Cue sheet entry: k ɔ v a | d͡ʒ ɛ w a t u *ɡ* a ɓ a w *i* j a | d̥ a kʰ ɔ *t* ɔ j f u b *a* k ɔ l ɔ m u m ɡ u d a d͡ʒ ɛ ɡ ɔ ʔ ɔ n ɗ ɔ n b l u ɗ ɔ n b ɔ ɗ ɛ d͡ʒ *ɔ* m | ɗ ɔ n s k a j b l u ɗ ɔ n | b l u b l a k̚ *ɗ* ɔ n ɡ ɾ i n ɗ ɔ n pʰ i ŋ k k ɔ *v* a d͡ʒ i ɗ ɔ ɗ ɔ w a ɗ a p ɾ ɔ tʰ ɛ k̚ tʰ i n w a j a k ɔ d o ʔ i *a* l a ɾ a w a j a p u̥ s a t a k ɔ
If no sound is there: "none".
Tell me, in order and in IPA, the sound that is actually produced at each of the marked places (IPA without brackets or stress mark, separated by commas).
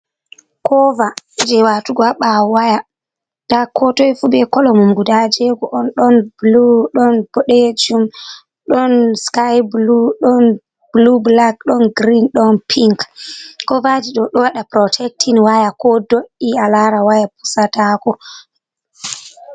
ɡ, a, t, ɛ, u, ɗ, v, a